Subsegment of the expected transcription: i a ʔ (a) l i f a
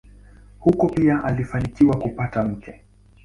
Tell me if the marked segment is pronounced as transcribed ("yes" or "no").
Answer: yes